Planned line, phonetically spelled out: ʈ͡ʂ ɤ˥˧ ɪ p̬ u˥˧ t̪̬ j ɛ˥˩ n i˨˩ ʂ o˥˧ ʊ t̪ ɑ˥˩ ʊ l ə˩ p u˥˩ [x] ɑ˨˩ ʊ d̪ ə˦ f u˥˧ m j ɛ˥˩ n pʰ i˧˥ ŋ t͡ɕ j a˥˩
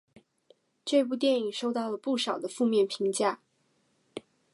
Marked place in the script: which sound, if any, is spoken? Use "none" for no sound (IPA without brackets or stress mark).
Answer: ʂ